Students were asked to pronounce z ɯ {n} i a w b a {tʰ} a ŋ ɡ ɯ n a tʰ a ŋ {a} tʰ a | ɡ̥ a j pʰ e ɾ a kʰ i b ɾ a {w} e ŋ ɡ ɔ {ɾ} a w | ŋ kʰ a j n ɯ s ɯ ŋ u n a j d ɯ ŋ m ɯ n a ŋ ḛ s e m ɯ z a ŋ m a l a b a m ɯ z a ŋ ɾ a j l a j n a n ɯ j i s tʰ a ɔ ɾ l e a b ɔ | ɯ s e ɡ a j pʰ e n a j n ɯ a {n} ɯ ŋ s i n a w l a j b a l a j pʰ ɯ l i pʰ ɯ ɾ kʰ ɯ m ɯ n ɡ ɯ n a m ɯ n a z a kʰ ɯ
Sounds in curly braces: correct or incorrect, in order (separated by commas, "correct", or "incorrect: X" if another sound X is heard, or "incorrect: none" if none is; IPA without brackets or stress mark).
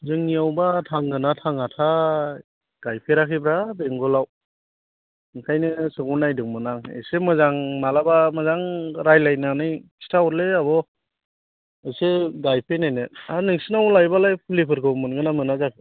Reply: incorrect: ŋ, correct, correct, incorrect: b, incorrect: l, correct